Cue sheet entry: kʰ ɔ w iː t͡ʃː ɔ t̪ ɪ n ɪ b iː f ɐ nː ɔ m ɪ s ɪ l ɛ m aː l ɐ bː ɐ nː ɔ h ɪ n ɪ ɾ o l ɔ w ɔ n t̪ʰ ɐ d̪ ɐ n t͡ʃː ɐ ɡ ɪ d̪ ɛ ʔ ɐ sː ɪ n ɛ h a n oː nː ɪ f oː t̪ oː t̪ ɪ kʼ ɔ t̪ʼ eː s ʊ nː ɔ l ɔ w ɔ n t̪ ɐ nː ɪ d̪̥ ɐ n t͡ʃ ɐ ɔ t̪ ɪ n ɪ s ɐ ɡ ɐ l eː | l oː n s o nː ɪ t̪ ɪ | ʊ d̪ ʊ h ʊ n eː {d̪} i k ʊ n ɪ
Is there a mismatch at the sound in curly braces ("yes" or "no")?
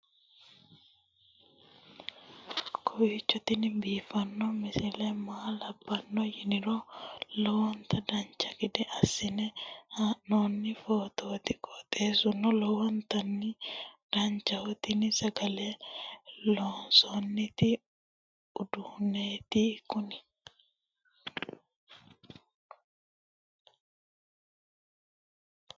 yes